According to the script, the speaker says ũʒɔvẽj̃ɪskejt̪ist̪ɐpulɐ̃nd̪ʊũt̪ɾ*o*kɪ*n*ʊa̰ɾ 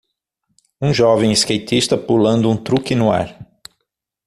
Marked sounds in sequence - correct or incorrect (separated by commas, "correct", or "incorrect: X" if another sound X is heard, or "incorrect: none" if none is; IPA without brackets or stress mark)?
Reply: incorrect: u, correct